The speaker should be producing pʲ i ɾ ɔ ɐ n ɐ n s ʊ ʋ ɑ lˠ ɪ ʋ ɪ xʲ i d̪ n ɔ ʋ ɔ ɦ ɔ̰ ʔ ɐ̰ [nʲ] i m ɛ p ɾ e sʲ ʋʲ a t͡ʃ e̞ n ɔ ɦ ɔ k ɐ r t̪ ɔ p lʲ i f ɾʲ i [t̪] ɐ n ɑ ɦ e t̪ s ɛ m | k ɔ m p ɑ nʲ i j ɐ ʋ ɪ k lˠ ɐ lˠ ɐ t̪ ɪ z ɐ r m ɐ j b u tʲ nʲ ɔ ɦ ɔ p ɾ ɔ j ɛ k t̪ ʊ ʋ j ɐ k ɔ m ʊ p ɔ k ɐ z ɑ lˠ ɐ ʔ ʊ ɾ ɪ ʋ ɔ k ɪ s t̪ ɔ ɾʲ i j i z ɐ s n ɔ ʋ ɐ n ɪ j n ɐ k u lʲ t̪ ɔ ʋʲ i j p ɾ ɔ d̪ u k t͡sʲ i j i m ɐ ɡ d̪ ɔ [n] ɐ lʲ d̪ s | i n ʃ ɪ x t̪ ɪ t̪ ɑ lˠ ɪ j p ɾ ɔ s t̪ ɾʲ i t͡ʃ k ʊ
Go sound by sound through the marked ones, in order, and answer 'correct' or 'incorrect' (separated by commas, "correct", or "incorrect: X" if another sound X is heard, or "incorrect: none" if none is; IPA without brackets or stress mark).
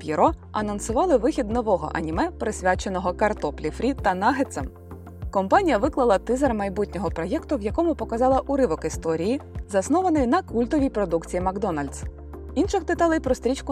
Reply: correct, correct, correct